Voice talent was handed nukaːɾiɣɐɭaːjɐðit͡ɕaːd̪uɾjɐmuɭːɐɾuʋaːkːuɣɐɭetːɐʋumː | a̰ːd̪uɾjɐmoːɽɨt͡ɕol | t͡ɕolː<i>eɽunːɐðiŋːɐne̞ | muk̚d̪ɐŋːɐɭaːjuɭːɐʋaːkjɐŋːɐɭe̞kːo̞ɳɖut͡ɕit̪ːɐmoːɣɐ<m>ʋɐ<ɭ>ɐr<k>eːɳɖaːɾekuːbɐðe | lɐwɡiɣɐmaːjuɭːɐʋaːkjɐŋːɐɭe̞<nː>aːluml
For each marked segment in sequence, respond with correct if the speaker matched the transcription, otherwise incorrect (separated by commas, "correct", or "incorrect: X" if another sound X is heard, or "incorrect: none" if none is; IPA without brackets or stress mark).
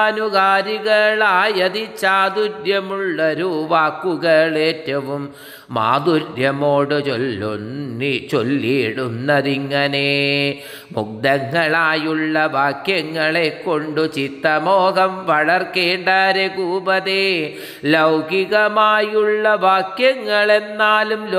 correct, correct, correct, correct, correct